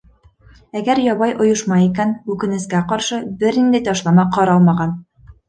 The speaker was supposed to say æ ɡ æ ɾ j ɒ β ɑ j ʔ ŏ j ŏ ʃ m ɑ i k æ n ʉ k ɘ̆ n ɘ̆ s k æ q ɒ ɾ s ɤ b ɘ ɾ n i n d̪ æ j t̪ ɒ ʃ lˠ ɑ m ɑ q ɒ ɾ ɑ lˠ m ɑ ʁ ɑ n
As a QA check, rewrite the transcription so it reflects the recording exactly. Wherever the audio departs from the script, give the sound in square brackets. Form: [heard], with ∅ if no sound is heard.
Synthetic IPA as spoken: æ ɡ æ ɾ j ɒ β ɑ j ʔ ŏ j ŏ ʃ m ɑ i k æ n ʉ k ɘ̆ n ɘ̆ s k æ q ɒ ɾ [ʃ] ɤ b ɘ ɾ n i n d̪ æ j t̪ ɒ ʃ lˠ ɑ m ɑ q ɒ ɾ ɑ lˠ m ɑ ʁ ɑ n

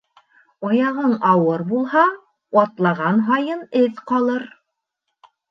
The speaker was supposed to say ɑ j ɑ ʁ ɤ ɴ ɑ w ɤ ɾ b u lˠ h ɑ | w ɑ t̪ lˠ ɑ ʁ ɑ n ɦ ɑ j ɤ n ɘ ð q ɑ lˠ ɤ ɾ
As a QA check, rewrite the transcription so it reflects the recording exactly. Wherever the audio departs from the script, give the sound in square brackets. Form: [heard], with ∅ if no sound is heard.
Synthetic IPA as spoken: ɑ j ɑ ʁ ɤ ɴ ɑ w ɤ ɾ b u lˠ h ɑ | w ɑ t̪ lˠ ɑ ʁ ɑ n ɦ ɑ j ɤ n ɘ ð q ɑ lˠ ɤ ɾ

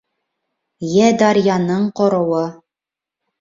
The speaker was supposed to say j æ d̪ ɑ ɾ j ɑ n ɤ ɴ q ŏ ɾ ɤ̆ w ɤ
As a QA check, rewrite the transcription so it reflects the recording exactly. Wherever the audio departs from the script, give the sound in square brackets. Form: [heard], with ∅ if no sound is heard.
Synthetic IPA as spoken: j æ d̪ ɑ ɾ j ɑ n ɤ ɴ q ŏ ɾ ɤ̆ w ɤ

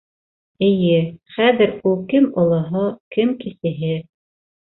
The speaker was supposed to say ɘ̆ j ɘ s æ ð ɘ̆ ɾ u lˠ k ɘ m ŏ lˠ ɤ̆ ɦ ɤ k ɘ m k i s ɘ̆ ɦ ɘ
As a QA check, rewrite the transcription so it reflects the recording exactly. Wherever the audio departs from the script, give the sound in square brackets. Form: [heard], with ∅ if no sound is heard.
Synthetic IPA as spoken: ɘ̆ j ɘ [χ] æ ð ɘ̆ ɾ u lˠ k ɘ m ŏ lˠ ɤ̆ ɦ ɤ k ɘ m k i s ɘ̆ ɦ ɘ

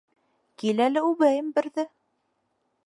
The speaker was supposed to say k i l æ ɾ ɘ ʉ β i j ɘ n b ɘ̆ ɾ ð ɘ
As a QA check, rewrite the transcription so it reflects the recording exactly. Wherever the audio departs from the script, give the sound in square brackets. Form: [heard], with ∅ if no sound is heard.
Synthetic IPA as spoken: k i l æ [l] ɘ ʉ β [æ] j ɘ [m] b ɘ̆ ɾ ð ɘ

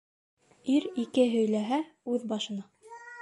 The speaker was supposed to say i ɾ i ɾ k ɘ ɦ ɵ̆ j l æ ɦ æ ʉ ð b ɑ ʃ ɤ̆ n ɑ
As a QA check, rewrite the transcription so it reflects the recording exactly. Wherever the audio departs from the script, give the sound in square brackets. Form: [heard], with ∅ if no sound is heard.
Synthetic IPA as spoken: i ɾ i [∅] k ɘ ɦ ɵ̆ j l æ ɦ æ ʉ ð b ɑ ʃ ɤ̆ n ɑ

